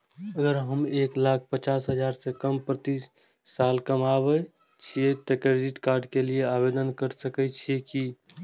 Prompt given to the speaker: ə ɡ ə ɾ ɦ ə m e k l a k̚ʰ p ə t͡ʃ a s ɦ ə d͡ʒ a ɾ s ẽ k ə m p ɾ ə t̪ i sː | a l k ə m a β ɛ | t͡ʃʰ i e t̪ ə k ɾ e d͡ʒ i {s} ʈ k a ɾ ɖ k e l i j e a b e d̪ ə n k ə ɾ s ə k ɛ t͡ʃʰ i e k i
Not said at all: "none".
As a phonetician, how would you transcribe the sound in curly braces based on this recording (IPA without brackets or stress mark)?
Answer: none